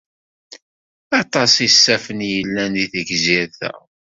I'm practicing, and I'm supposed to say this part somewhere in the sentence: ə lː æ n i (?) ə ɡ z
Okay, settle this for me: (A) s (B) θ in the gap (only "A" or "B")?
B